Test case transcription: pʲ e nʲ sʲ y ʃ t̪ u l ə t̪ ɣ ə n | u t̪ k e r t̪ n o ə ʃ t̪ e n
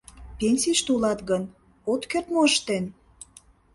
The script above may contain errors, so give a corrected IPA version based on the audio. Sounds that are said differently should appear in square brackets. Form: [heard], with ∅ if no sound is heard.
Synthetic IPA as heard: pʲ e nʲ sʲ [i] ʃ t̪ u l [ɑ] t̪ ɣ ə n | [o] t̪ k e r t̪ [m] o ə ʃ t̪ e n